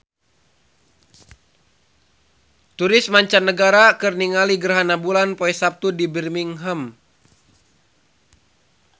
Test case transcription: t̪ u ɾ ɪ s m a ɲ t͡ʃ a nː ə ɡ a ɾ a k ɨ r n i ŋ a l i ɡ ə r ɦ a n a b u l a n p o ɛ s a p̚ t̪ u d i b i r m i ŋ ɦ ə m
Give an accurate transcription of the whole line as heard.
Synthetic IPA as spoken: t̪ u ɾ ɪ s m a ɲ t͡ʃ a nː ə ɡ a ɾ a k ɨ r n i ŋ a l i ɡ ə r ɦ a n a b u l a n p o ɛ s a p̚ t̪ u d i b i r m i ŋ ɦ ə m